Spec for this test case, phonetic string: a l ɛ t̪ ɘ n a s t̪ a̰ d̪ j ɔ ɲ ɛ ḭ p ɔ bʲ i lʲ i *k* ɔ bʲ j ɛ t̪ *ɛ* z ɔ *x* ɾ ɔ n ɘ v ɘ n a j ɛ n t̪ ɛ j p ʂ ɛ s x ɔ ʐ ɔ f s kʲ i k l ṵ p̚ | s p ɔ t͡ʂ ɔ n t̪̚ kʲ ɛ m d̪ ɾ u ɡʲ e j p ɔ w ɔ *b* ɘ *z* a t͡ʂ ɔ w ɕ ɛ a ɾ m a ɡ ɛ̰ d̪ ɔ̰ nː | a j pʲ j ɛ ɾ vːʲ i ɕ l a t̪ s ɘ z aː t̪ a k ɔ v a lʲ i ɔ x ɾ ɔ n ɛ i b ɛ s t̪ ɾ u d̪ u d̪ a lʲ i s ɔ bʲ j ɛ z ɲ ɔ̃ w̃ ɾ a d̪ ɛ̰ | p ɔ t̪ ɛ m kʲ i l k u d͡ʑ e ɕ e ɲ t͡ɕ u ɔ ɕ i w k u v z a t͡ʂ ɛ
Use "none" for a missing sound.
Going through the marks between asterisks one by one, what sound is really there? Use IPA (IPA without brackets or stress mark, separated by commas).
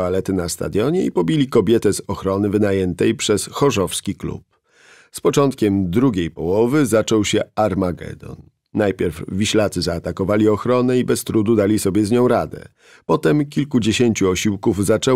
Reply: k, ɛ, x, v, z